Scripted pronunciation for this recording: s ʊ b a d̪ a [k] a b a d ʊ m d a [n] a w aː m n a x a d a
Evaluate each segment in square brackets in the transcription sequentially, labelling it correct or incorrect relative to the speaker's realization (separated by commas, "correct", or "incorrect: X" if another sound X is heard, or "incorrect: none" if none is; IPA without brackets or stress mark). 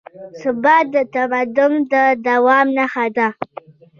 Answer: incorrect: t, incorrect: d